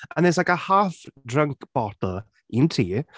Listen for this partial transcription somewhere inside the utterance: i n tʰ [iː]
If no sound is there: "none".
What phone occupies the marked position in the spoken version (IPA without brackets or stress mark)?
iː